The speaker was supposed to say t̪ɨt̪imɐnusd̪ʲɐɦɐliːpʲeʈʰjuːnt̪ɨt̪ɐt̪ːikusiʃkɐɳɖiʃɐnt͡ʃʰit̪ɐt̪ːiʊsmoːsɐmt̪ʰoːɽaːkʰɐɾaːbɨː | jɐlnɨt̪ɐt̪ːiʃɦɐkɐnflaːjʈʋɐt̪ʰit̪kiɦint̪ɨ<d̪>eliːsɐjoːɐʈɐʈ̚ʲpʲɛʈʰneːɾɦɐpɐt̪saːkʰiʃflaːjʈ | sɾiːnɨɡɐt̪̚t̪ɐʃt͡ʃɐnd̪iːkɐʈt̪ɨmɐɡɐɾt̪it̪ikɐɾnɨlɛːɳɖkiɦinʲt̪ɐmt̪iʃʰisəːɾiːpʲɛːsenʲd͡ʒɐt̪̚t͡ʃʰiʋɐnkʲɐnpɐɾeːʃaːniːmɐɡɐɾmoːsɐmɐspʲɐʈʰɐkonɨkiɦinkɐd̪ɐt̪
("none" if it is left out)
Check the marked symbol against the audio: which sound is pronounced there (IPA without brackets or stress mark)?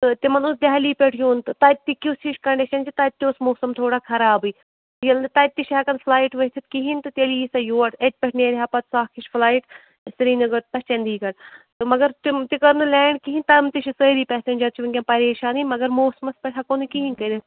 t̪